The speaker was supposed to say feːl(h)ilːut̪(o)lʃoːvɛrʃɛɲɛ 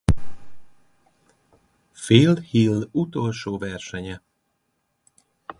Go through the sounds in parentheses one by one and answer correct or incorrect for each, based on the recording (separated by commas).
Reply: correct, correct